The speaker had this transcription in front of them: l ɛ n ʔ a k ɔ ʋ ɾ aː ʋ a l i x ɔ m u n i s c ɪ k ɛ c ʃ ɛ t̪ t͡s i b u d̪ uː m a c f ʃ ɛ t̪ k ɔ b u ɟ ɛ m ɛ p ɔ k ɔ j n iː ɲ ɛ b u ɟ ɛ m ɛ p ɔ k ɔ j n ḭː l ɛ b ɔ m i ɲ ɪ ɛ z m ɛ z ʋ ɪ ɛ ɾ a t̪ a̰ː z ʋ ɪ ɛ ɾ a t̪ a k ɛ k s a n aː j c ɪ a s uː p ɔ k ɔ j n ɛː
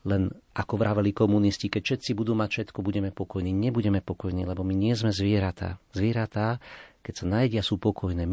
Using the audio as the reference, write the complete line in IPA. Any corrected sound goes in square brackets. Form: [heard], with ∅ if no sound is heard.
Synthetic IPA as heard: l ɛ n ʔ a k ɔ ʋ ɾ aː ʋ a l i [k] ɔ m u n i s c [i] k ɛ c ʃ ɛ t̪ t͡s i b u d̪ uː m a c f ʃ ɛ t̪ k ɔ b u ɟ ɛ m ɛ p ɔ k ɔ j n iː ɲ ɛ b u ɟ ɛ m ɛ p ɔ k ɔ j n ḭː l ɛ b ɔ m i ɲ ɪ ɛ z m ɛ z ʋ ɪ ɛ ɾ a t̪ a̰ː z ʋ ɪ ɛ ɾ a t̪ a k ɛ [c] s a n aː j [ɟ] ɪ a s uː p ɔ k ɔ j n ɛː